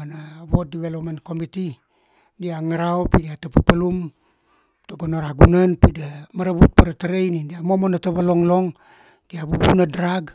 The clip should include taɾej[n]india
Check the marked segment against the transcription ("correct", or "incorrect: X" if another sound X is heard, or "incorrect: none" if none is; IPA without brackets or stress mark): correct